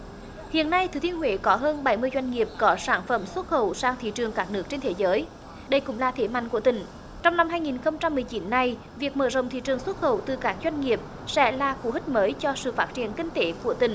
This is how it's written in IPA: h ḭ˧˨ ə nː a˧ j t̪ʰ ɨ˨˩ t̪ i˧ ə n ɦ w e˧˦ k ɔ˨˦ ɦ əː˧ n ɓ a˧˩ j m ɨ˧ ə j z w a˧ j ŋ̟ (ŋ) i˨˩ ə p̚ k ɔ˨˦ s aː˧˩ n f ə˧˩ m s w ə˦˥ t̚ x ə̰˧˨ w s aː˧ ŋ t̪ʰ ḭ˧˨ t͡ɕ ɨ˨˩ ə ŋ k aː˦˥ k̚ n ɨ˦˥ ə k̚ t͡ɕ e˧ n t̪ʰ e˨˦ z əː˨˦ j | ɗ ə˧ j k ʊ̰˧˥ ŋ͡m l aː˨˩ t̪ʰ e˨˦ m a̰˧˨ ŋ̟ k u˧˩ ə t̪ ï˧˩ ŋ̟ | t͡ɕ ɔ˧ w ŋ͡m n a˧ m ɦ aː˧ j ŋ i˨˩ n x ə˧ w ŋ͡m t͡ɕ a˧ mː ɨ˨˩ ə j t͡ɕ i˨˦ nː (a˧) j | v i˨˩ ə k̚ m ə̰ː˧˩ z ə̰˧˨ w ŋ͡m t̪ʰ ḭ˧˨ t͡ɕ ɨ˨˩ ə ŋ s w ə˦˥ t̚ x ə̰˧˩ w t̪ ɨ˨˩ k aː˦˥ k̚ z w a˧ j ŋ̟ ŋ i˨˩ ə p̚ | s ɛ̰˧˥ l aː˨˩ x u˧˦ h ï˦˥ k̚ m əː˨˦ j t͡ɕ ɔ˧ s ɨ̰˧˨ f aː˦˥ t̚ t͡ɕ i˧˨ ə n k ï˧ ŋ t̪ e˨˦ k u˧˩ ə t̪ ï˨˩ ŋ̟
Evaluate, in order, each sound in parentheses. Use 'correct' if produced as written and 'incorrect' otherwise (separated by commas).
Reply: correct, correct